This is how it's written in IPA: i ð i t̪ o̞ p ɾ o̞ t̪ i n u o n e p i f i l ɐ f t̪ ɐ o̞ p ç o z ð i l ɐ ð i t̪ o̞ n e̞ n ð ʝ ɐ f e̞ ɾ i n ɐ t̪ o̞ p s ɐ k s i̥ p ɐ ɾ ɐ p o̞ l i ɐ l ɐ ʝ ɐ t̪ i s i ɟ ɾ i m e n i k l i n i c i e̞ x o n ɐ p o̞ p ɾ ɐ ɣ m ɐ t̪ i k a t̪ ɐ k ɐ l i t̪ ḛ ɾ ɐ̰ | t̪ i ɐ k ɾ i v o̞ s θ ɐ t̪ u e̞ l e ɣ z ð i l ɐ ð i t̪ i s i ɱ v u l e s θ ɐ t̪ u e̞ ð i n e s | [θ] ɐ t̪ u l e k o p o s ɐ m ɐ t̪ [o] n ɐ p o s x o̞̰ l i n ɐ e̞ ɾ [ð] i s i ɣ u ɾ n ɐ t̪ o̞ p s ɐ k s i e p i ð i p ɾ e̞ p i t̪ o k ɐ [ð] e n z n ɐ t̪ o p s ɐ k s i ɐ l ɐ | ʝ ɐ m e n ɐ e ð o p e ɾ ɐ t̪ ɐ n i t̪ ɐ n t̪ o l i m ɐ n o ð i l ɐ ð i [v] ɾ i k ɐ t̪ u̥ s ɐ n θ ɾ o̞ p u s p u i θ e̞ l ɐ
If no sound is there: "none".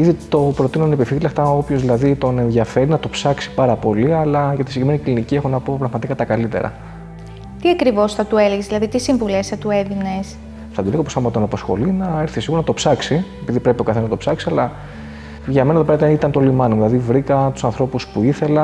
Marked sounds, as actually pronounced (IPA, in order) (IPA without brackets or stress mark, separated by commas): θ, o, θ, θ, v